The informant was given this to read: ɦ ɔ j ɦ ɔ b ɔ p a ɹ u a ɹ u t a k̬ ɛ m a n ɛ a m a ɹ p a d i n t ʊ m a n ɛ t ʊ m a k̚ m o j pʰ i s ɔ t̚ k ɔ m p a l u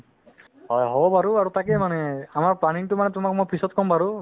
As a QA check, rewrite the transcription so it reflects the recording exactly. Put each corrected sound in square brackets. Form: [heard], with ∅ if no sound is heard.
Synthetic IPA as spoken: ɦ ɔ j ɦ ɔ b ɔ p a ɹ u a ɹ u t a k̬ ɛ m a n ɛ a m a ɹ p a [n] i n t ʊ m a n ɛ t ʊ m a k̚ m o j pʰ i s ɔ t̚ k ɔ m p a [ɹ] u